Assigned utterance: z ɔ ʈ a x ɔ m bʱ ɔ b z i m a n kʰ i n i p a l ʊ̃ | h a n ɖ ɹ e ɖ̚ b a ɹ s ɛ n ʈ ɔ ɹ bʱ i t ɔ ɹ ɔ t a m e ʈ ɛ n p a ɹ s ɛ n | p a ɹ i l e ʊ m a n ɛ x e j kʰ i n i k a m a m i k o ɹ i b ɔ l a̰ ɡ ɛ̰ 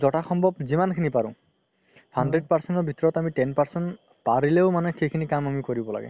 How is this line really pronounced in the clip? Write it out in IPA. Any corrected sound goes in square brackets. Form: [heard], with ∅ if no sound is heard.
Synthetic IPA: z ɔ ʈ a x ɔ m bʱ ɔ b z i m a n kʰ i n i p a [ɹ] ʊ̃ | h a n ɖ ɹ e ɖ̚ [p] a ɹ s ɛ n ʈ ɔ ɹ bʱ i t ɔ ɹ ɔ t a m [i] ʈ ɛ n p a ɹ s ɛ n | p a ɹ i l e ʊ m a n ɛ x e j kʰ i n i k a m a m i k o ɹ i b ɔ l a̰ ɡ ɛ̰